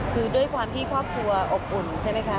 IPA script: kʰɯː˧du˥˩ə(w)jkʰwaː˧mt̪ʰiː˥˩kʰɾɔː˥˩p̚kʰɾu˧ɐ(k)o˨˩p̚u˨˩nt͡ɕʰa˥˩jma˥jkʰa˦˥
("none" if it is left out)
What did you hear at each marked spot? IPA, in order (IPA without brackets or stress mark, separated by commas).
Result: none, ʔ